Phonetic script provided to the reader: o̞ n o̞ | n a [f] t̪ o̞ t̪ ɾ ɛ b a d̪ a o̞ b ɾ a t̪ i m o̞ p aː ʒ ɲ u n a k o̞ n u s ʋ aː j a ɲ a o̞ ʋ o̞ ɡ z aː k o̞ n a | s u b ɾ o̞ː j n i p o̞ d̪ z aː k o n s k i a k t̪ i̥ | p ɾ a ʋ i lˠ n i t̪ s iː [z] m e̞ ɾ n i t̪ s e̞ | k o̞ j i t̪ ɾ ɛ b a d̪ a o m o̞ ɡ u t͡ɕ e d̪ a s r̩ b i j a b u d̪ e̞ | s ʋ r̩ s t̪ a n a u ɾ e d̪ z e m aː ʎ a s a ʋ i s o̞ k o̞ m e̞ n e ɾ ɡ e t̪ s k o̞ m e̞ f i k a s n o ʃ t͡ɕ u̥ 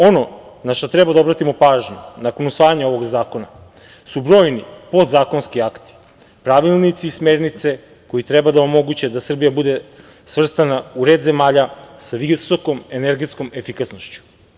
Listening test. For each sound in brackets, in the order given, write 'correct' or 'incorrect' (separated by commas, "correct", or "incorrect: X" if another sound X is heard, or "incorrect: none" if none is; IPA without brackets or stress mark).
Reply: incorrect: ʃ, incorrect: s